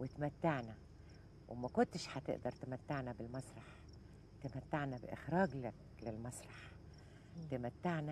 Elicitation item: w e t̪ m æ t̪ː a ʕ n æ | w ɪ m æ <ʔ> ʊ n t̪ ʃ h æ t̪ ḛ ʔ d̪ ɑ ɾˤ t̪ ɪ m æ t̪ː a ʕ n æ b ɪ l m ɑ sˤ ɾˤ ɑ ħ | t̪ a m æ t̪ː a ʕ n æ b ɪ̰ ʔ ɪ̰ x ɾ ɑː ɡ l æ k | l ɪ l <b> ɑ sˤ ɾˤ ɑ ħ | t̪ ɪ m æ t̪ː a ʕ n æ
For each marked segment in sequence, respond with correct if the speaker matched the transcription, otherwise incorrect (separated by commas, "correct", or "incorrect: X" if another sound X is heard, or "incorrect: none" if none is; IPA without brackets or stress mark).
incorrect: k, incorrect: m